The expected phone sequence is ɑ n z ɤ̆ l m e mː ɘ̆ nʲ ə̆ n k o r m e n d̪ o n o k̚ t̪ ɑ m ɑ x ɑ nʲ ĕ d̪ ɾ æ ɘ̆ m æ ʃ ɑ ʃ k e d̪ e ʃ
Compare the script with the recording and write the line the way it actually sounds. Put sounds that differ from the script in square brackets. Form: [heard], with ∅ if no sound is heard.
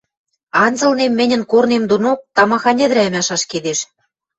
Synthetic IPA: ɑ n z ɤ̆ l [n] e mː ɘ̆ nʲ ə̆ n k o r [n] e [m] d̪ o n o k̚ t̪ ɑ m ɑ x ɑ nʲ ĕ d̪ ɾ æ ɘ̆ m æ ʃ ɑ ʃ k e d̪ e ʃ